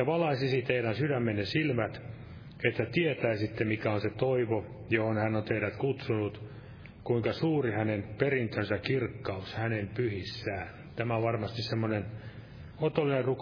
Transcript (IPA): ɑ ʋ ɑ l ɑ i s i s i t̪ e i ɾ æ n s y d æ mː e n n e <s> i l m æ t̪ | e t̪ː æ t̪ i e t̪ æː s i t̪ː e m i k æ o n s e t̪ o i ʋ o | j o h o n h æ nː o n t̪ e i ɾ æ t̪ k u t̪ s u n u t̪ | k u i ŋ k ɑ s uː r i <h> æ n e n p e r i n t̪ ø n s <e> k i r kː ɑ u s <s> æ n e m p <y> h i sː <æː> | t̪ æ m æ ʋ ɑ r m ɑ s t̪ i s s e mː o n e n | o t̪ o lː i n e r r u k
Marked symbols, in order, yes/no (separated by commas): yes, yes, no, no, yes, yes